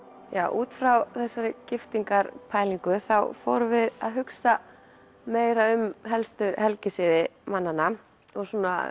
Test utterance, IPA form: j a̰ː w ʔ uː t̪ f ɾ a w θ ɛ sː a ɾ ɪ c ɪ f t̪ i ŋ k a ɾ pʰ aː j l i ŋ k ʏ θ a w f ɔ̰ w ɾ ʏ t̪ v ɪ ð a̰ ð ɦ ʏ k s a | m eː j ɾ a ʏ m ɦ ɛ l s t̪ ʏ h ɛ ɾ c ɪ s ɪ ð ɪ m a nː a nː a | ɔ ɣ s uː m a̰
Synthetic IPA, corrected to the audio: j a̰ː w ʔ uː t̪ f ɾ a w θ ɛ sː a ɾ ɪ c ɪ f t̪ i ŋ k a ɾ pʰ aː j l i ŋ k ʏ θ a w f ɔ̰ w ɾ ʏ v ɪ ð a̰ ð ɦ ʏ k s a | m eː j ɾ a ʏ m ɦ ɛ l s t̪ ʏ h ɛ l c ɪ s ɪ ð ɪ m a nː a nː a | ɔ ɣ s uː n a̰